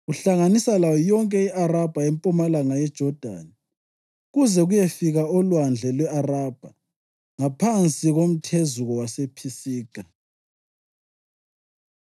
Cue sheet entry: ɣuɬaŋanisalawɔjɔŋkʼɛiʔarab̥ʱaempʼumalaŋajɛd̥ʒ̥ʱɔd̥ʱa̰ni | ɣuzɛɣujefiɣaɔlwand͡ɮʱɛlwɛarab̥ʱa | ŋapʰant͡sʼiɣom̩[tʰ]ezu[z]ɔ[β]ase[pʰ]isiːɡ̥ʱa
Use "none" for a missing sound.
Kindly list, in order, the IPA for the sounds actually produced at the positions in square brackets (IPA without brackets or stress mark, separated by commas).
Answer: tʰ, ɣ, w, pʰ